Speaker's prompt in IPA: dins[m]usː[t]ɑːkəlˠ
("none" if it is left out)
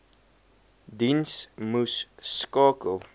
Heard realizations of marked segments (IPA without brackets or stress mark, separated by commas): m, k